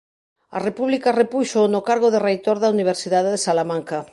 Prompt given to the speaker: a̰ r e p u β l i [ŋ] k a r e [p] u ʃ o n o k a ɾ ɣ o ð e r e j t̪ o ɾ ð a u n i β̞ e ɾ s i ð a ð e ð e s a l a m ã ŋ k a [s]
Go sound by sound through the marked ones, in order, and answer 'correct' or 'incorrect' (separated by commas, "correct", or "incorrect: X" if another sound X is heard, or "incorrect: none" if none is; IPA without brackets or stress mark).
incorrect: none, correct, incorrect: none